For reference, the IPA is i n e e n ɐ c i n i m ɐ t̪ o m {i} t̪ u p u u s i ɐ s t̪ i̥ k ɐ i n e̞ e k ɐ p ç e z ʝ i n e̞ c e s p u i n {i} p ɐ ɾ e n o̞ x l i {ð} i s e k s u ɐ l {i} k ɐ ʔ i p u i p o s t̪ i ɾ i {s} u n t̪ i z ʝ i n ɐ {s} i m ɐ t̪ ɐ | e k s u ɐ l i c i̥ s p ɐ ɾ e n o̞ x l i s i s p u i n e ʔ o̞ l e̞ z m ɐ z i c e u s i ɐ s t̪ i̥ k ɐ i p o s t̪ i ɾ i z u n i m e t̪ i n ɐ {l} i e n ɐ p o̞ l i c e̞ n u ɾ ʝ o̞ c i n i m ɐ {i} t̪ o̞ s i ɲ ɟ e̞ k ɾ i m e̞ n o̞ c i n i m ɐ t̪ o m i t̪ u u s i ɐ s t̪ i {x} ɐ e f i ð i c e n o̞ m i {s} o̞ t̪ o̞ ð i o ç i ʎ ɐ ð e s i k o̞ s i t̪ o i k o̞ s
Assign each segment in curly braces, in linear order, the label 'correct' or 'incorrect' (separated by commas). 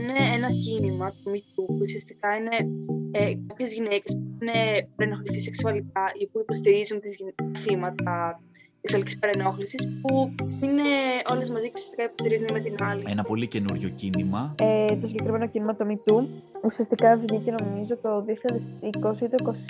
correct, incorrect, incorrect, correct, incorrect, incorrect, correct, incorrect, incorrect, incorrect